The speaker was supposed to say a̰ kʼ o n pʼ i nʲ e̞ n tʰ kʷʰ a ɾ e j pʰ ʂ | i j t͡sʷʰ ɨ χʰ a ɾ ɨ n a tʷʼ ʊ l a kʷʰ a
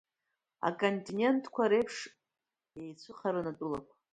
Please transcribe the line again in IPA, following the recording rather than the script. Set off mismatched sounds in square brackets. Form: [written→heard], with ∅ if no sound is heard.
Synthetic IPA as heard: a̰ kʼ o n [pʼ→tʼ] i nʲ e̞ n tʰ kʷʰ a ɾ e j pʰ ʂ | [i→e] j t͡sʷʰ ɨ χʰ a ɾ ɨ n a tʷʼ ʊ l a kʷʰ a

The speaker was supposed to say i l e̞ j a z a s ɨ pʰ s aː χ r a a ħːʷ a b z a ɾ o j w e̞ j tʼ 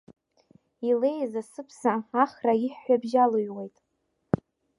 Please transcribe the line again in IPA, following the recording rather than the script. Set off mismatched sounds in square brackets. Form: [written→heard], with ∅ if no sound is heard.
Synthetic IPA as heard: i l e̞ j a z a s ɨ pʰ s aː χ r a [a→i] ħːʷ a b [z→ʒ] a [ɾ→l] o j w e̞ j tʼ

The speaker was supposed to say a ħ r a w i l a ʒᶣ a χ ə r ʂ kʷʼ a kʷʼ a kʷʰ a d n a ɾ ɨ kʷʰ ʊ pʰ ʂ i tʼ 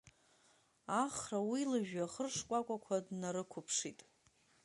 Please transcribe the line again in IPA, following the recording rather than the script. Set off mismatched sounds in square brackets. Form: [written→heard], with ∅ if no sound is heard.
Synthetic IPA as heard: a [ħ→χ] r a w i l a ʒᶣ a χ ə r ʂ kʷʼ a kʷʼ a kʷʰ a d n a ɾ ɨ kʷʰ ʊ pʰ ʂ i tʼ

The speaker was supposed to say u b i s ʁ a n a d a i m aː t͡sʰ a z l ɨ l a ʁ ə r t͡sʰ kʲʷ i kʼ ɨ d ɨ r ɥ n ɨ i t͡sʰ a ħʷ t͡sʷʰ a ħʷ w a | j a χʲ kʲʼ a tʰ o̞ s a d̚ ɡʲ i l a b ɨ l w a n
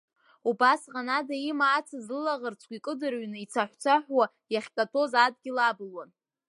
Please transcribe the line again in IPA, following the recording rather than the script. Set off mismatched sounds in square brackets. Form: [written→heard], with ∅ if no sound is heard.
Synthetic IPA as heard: u b [i→a] s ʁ a n a d a i m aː t͡sʰ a z l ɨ l a ʁ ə r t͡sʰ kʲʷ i kʼ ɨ d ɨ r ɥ n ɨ i t͡sʰ a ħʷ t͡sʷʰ a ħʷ w a | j a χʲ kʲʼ a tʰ o̞ [s→z] a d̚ ɡʲ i l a b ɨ l w a n

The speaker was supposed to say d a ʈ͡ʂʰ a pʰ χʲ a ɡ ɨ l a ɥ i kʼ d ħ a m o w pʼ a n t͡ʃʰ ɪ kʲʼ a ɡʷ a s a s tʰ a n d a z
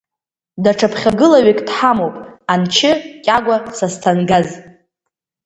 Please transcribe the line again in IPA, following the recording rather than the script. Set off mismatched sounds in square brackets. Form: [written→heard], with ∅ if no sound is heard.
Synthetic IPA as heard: d a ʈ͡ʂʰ a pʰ χʲ a ɡ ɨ l a ɥ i kʼ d ħ a m o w pʼ a n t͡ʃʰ ɪ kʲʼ a ɡʷ a s a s tʰ a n [d→ɡ] a z

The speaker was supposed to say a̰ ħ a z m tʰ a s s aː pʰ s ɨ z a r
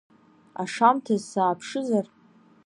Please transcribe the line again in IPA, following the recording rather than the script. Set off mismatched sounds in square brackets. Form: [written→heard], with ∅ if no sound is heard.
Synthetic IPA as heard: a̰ [ħ→ʂ] a [z→∅] m tʰ a [s→z] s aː pʰ [s→ʂ] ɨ z a r

